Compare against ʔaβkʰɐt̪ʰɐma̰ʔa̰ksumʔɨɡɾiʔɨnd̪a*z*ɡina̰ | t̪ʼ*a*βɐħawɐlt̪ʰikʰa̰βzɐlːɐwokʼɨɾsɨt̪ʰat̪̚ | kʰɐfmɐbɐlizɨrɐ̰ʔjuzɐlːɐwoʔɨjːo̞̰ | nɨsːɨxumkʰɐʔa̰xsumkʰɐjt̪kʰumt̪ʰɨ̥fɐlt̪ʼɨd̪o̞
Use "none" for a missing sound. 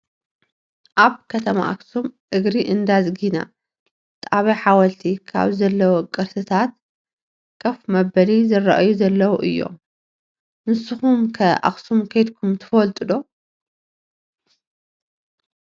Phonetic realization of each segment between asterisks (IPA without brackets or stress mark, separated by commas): z, a